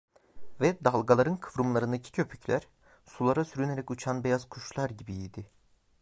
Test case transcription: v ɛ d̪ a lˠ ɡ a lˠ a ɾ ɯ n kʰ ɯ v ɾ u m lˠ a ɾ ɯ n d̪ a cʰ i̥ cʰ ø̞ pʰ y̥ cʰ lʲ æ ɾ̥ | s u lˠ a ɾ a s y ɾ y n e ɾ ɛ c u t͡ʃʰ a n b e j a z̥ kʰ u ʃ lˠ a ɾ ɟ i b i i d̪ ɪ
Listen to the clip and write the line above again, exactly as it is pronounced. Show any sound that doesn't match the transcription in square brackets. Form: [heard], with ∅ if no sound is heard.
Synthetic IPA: v ɛ d̪ a lˠ ɡ a lˠ a ɾ ɯ n kʰ ɯ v ɾ u m lˠ a ɾ ɯ n d̪ a cʰ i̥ cʰ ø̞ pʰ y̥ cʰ lʲ æ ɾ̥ | s u lˠ a ɾ a s y ɾ y n e ɾ ɛ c u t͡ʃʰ a n b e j a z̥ kʰ u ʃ lˠ a ɾ ɟ i b i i d̪ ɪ